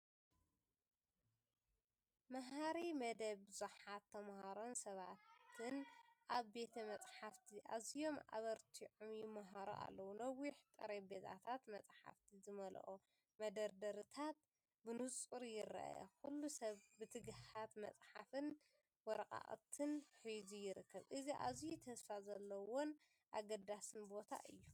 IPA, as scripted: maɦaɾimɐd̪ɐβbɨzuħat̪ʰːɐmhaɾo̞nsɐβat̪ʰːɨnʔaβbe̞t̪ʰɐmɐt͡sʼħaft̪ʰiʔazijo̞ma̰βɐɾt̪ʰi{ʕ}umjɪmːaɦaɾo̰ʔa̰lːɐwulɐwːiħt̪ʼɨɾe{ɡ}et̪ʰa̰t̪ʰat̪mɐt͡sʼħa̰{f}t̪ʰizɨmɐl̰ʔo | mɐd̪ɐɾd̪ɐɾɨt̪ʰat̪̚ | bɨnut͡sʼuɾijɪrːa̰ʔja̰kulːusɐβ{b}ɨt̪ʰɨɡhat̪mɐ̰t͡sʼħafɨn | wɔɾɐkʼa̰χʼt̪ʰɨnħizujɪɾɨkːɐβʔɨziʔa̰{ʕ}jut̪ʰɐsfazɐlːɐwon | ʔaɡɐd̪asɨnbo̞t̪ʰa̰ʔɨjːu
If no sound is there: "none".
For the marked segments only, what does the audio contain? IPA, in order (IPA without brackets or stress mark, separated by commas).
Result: ʕ, b, f, b, z